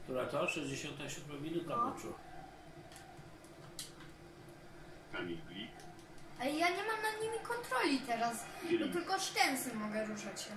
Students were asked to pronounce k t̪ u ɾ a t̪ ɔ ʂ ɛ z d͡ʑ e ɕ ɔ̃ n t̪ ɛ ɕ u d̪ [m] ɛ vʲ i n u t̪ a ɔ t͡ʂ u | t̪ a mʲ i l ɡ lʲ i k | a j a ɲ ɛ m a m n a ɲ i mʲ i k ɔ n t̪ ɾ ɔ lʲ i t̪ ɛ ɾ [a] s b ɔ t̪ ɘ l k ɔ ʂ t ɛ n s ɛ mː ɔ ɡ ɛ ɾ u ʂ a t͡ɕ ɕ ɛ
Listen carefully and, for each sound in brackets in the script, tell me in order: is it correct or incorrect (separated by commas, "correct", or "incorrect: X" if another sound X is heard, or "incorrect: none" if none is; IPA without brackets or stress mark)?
correct, correct